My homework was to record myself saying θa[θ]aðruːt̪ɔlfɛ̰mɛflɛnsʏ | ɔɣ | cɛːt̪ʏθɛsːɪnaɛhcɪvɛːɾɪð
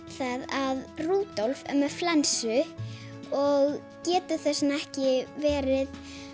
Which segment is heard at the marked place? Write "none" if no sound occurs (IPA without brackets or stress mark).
ð